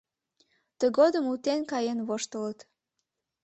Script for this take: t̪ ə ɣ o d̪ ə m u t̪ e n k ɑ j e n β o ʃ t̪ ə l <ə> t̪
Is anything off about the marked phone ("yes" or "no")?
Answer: no